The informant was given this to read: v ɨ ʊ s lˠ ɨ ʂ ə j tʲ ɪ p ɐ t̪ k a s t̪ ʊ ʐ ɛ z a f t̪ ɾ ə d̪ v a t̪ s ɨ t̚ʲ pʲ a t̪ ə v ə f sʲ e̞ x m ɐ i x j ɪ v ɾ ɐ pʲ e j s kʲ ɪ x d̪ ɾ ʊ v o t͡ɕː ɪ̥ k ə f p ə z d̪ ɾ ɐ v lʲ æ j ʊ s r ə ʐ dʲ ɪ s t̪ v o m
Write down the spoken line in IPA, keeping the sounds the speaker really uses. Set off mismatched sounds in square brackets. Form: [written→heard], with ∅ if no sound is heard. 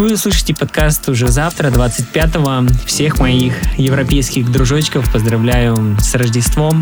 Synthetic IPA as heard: v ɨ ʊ s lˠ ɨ ʂ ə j tʲ ɪ p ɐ t̪ k a s t̪ ʊ ʐ ɛ z a f t̪ ɾ ə d̪ v a t̪ s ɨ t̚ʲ pʲ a t̪ ə v ə f sʲ e̞ x m ɐ i x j ɪ v ɾ ɐ pʲ e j s kʲ ɪ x d̪ ɾ ʊ [v→ʐ] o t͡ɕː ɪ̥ k ə f p ə z d̪ ɾ ɐ v lʲ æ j ʊ s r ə ʐ dʲ ɪ s t̪ v o m